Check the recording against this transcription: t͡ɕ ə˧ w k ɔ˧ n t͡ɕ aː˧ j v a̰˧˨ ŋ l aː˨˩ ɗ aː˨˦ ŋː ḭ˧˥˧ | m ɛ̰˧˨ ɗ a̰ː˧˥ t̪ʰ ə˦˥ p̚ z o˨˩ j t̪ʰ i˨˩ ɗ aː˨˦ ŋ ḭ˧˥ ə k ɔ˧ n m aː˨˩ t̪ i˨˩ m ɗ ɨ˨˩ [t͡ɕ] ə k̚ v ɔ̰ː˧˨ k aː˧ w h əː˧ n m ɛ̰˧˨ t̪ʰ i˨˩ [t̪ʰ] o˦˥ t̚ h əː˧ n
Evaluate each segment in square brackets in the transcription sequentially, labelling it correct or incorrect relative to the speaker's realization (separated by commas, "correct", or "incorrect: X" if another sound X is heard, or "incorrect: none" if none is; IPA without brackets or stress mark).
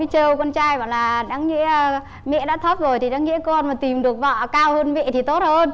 incorrect: none, incorrect: t̪